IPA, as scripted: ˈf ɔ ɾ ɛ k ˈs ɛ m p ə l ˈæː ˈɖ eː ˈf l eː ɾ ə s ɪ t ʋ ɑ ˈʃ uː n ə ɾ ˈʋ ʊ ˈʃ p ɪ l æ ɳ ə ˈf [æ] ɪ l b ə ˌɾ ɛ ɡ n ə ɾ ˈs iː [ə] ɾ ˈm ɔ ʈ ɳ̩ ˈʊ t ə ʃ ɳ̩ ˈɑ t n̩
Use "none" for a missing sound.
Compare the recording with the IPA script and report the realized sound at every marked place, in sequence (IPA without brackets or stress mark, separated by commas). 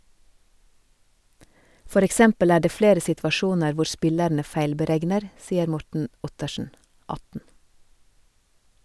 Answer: æ, ə